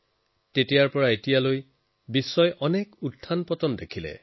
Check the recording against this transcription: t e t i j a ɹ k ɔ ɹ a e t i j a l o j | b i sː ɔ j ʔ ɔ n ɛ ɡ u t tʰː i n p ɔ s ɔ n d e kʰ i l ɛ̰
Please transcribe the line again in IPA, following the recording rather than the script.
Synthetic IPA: t e t i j a ɹ p ɔ ɹ a e t i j a l o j | b i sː ɔ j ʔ ɔ n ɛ k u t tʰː a n p ɔ t ɔ n d e kʰ i l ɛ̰